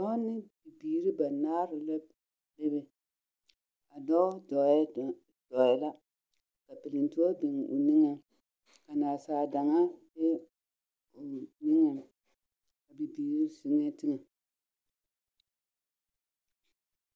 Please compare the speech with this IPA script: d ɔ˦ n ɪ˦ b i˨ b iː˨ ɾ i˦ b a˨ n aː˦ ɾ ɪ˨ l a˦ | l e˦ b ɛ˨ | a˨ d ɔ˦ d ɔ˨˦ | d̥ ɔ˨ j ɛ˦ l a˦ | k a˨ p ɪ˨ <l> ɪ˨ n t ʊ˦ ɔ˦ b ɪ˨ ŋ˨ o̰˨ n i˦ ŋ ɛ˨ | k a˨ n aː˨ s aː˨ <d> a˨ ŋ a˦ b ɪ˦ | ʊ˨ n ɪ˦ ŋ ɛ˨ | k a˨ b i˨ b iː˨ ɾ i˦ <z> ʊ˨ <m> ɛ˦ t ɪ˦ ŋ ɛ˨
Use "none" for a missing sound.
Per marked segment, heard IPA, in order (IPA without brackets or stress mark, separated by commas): l, d, s, ŋ